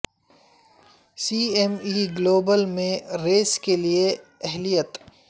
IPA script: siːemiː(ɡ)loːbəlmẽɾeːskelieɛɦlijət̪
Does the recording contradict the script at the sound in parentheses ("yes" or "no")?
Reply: no